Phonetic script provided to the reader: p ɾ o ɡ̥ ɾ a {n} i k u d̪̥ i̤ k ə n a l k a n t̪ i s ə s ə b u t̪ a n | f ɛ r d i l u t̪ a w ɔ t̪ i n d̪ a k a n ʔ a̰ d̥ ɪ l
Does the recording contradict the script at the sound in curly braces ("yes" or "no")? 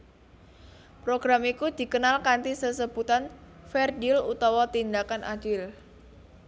yes